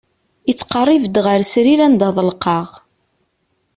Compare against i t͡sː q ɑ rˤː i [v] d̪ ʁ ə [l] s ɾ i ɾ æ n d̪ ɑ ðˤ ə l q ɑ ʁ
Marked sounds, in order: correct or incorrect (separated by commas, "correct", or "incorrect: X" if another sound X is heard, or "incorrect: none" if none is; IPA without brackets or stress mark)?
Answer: correct, incorrect: ɾ